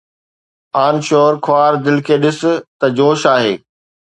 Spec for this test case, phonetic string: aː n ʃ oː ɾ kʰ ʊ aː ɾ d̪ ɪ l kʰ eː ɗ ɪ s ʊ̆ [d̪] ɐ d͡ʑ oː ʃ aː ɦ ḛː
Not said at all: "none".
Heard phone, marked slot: t̪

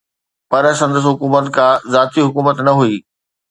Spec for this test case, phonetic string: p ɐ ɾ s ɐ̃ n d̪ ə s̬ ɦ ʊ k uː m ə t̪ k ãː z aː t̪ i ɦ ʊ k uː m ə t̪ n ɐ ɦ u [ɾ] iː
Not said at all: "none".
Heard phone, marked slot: none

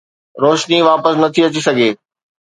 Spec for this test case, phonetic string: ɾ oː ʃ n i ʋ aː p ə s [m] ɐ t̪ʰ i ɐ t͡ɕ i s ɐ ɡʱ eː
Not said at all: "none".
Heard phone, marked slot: n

